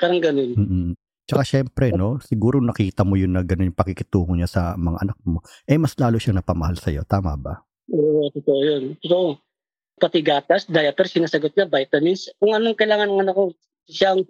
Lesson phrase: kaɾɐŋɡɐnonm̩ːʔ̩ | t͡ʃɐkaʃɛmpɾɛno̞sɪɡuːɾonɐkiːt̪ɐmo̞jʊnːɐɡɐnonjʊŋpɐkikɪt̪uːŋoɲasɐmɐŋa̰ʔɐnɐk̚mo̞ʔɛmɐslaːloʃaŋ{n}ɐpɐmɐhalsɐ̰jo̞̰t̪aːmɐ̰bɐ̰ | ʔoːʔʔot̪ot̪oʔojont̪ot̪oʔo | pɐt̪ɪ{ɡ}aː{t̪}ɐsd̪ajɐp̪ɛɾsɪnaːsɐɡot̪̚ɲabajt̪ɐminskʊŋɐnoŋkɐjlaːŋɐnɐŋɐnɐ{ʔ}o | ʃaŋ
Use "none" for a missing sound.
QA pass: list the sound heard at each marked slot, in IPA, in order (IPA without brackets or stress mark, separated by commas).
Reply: n, ɡ, t̪, k